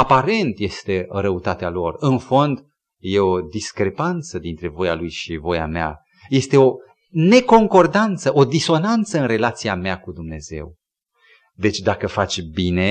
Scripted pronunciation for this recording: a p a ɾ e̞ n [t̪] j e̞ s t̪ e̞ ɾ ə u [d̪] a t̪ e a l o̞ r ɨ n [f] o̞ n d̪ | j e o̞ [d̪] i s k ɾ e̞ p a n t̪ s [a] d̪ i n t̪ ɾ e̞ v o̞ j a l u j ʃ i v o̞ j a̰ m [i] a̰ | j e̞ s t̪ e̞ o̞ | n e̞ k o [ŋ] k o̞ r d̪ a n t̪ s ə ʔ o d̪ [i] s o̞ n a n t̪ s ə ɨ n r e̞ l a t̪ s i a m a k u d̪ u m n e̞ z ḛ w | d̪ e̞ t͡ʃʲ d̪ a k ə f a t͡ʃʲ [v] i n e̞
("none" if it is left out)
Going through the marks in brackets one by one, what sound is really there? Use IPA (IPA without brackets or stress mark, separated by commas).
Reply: t̪, t̪, f, d̪, ə, e, ŋ, i, b